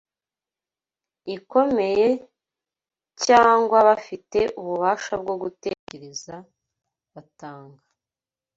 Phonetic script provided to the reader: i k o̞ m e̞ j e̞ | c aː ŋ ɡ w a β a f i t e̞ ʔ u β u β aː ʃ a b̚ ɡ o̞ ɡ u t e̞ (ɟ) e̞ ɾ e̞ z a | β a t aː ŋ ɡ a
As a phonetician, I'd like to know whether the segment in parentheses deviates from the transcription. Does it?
yes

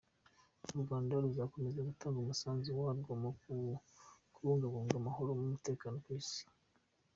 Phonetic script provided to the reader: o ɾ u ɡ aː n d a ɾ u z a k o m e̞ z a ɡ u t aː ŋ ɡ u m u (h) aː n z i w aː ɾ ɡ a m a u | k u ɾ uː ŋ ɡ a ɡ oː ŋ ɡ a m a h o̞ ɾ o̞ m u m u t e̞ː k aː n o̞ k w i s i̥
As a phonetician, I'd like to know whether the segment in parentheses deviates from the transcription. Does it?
yes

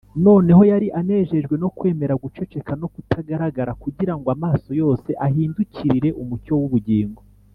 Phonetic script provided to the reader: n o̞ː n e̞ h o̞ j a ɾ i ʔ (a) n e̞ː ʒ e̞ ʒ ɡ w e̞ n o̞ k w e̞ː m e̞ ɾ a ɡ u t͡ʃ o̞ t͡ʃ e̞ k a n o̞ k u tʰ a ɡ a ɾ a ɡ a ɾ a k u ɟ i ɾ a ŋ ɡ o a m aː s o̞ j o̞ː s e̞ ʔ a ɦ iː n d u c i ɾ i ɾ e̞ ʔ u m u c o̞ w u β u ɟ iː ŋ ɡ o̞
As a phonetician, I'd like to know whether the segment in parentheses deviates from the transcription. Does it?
no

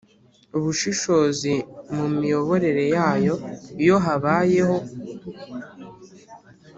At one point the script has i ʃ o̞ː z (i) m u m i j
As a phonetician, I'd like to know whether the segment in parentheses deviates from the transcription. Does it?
no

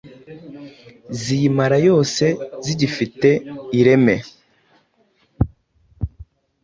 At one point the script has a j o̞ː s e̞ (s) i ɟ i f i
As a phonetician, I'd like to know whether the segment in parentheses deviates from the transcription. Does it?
yes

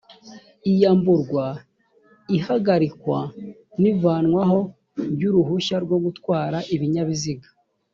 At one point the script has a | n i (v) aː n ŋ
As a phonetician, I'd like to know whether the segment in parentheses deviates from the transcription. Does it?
no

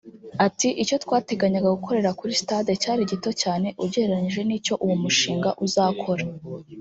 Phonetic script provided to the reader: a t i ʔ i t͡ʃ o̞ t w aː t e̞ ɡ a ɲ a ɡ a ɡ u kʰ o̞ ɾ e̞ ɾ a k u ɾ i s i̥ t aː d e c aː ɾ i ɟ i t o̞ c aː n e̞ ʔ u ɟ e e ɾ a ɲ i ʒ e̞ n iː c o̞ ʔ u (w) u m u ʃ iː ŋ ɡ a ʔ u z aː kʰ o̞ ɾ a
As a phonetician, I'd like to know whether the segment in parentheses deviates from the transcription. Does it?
no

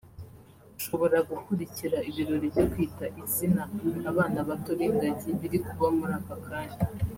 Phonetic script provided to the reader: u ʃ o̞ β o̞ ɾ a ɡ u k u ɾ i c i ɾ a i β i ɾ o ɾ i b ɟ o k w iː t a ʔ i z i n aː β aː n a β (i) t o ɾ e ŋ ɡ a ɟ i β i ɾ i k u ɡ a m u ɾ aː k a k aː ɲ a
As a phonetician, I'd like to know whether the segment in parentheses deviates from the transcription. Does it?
yes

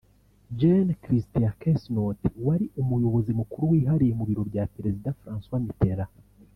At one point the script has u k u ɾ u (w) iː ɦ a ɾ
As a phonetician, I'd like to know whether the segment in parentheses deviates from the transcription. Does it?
no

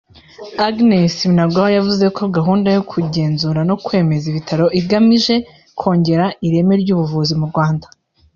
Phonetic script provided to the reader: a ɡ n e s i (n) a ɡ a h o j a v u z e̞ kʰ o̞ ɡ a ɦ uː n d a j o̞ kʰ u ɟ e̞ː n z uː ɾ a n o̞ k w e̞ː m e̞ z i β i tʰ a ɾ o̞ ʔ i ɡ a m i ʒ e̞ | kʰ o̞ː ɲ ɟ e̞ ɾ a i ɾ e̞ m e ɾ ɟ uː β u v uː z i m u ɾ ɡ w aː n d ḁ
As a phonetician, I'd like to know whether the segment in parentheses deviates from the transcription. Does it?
no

